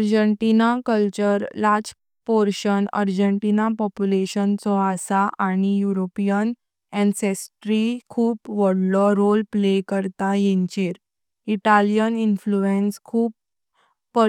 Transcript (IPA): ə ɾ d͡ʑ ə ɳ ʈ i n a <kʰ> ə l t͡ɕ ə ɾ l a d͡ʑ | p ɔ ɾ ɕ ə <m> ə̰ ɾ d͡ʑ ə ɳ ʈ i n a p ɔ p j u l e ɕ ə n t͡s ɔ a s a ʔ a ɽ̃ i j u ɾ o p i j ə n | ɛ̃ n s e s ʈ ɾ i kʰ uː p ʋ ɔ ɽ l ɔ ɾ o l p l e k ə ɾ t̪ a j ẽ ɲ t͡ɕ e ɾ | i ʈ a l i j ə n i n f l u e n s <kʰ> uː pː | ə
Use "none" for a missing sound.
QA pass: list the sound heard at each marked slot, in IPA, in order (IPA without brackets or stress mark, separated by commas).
k, n, kʰ